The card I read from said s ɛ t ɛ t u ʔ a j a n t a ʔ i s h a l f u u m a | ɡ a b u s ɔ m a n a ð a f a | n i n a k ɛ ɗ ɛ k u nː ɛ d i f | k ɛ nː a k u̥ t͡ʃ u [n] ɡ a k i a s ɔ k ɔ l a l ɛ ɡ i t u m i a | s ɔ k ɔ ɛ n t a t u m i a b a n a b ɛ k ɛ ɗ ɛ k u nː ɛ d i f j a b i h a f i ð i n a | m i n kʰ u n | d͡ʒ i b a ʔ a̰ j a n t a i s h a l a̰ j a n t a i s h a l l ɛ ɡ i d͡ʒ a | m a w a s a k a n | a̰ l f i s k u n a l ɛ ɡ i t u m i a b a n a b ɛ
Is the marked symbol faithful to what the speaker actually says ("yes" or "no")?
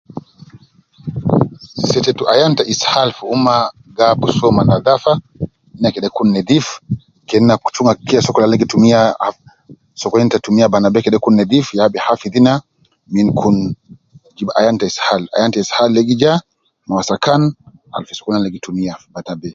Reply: no